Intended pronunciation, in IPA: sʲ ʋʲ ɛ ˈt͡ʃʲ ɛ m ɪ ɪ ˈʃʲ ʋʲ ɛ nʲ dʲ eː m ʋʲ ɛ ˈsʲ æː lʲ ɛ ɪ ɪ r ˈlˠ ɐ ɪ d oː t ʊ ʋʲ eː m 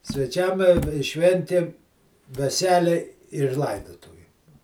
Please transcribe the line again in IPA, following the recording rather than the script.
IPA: sʲ ʋʲ ɛ ˈt͡ʃʲ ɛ m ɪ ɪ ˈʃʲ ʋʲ ɛ nʲ tʲ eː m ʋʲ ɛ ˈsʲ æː lʲ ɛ ɪ ɪ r ˈlˠ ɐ ɪ d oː t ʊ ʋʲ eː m